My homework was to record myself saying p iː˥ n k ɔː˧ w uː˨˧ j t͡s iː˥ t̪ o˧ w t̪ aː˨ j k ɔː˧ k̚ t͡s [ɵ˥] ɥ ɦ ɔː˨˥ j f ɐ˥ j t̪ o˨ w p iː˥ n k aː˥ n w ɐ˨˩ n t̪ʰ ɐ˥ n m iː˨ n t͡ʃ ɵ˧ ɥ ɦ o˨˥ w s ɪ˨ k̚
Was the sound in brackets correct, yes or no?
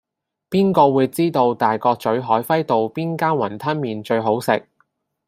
no